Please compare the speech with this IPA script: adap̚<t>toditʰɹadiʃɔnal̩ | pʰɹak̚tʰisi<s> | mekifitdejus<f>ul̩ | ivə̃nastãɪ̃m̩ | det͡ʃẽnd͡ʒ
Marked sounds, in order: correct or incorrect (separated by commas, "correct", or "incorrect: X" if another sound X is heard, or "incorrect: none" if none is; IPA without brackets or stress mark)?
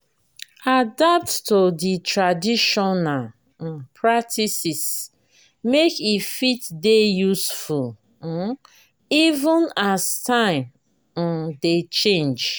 correct, correct, correct